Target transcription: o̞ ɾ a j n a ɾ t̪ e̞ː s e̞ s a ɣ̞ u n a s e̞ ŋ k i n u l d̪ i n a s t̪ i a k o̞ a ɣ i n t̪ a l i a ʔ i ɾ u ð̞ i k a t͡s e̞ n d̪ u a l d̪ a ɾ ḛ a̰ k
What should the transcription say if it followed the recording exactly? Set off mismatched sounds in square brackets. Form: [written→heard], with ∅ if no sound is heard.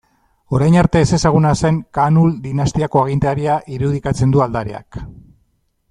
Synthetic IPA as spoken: o̞ ɾ a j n a ɾ t̪ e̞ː s e̞ s a ɣ̞ u n a s e̞ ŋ k [i→a] n u l d̪ i n a s t̪ i a k o̞ a ɣ i n t̪ a [l→ɾ] i a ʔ i ɾ u ð̞ i k a t͡s e̞ n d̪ u a l d̪ a ɾ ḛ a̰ k